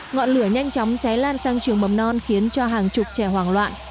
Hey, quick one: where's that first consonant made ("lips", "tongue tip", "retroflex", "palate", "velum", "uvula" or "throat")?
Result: velum